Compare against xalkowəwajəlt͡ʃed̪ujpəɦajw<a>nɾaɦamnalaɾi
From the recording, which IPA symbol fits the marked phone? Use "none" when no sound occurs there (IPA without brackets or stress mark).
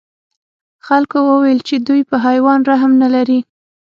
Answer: ɑ